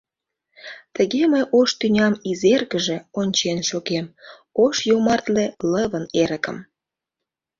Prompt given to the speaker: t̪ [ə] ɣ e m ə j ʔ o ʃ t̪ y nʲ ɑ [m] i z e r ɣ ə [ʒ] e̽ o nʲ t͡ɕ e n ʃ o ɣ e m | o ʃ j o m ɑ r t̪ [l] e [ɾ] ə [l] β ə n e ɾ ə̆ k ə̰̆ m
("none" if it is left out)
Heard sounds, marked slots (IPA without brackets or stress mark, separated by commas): ə, m, ʒ, l, l, none